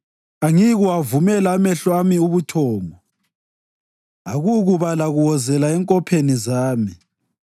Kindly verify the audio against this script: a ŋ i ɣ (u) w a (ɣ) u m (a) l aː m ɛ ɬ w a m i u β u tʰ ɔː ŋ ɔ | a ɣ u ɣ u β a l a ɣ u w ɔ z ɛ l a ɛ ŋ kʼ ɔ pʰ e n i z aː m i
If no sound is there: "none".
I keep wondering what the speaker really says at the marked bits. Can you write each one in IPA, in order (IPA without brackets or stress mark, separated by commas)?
u, v, ɛ